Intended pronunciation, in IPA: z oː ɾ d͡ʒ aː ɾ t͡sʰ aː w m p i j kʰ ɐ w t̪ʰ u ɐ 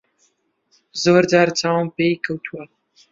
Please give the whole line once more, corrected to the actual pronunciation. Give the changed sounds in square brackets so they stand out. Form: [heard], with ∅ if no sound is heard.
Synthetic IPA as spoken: z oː ɾ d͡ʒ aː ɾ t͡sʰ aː w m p [e] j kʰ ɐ w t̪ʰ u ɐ